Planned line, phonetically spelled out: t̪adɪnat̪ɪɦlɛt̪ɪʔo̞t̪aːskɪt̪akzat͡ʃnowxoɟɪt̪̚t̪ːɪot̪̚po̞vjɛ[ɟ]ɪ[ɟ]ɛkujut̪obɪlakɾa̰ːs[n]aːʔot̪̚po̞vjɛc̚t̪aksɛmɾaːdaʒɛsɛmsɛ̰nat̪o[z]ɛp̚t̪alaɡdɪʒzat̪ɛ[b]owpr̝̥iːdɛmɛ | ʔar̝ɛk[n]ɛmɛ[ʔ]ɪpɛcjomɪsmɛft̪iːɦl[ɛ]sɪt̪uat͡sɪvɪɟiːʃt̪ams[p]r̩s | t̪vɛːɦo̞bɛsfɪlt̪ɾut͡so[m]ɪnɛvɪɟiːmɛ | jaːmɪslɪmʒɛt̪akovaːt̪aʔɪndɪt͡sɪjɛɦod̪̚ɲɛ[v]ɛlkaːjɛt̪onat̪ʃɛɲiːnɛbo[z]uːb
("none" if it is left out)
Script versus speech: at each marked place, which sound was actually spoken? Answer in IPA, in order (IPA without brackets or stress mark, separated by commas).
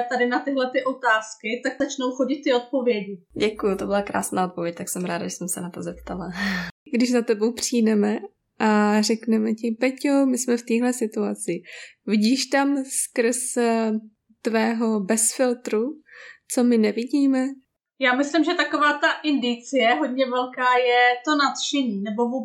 ɟ, ɟ, n, z, b, n, c, ɛ, k, m, v, v